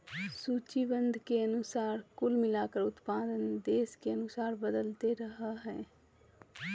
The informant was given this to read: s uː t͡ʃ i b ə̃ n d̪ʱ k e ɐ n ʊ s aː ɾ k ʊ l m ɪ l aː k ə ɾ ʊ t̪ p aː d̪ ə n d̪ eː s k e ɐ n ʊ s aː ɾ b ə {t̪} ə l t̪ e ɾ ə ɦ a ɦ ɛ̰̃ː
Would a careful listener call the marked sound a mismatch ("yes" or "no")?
yes